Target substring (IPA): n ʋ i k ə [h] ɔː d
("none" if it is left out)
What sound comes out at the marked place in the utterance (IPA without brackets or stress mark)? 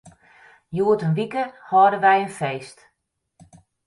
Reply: h